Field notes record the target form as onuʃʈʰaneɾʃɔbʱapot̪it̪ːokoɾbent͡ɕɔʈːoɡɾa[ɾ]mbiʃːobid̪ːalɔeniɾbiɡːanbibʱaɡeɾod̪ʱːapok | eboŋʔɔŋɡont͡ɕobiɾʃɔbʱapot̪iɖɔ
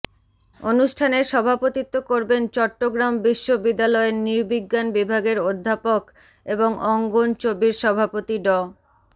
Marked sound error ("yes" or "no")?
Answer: yes